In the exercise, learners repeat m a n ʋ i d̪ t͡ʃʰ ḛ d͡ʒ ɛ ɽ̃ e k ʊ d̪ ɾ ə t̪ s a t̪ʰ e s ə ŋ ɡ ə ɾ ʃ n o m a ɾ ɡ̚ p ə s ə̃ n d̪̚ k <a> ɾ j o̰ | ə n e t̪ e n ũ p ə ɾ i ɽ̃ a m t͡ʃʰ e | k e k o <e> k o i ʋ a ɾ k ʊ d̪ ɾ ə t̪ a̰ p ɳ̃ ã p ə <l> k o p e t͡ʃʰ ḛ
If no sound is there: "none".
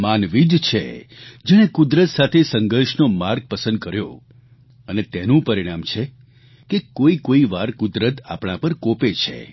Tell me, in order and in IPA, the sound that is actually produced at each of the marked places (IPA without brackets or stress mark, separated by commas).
ə, i, ɾ